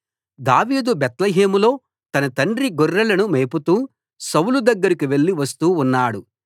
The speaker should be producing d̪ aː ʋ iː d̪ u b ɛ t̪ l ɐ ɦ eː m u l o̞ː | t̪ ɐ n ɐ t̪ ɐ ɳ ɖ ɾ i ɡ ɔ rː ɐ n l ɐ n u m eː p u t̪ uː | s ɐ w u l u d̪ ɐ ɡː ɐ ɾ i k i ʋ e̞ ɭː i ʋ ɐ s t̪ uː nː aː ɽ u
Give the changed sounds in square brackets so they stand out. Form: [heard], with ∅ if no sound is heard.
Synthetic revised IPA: d̪ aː ʋ iː d̪ u b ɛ t̪ l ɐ ɦ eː m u l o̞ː | t̪ ɐ n ɐ t̪ ɐ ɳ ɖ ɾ i ɡ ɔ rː ɐ [∅] l ɐ n u m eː p u t̪ uː | s ɐ w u l u d̪ ɐ ɡː ɐ ɾ i k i ʋ e̞ ɭː i ʋ ɐ s t̪ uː nː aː ɽ u